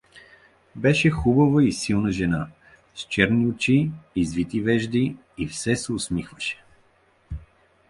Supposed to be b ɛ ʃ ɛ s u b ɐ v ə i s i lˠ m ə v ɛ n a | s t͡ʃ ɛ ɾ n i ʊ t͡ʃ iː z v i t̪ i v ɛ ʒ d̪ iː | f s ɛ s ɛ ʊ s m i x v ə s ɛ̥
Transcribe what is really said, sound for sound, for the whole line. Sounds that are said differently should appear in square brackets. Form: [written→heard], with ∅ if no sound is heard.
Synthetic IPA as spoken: b ɛ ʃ ɛ [s→x] u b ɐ v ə i s i lˠ [m→n] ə [v→ʒ] ɛ n a | s t͡ʃ ɛ ɾ n i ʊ t͡ʃ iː z v i t̪ i v ɛ ʒ d̪ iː | f s ɛ s ɛ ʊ s m i x v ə [s→ʃ] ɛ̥